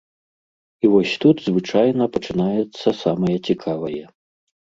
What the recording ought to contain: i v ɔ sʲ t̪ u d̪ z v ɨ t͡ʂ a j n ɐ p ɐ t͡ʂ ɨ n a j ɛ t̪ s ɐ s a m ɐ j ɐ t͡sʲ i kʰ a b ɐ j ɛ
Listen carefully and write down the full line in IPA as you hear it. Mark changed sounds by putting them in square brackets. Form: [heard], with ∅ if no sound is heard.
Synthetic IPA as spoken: i v ɔ sʲ t̪ u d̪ z v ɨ t͡ʂ a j n ɐ p ɐ t͡ʂ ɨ n a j ɛ t̪ [sː] ɐ s a m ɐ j ɐ t͡sʲ i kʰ a [v] ɐ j ɛ